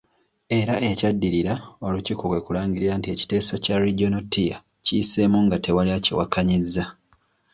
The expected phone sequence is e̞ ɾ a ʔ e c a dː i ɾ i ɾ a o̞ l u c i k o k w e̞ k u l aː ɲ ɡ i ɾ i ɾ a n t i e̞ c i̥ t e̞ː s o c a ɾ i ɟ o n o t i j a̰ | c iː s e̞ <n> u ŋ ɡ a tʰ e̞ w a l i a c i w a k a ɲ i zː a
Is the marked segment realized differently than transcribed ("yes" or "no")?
yes